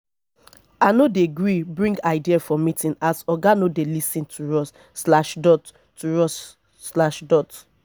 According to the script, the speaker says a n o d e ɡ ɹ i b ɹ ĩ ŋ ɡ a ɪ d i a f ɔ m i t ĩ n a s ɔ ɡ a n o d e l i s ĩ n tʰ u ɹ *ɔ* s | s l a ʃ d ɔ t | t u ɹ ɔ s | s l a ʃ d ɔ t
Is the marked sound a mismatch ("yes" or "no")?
no